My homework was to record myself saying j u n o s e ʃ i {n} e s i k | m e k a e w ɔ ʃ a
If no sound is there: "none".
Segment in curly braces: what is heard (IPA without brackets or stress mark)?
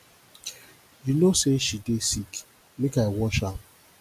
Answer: d